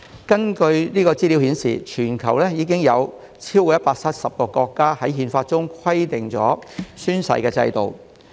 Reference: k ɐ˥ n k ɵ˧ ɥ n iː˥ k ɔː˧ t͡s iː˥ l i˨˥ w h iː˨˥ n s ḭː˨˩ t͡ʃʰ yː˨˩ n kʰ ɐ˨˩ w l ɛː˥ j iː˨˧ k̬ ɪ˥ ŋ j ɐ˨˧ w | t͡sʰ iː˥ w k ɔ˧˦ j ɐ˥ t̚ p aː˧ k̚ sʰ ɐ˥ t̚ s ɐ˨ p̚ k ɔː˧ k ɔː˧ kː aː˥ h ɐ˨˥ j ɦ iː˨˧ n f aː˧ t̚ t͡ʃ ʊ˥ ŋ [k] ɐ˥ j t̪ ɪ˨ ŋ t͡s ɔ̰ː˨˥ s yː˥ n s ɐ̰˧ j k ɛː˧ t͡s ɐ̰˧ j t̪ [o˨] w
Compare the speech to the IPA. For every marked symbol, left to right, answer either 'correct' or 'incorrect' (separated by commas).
incorrect, correct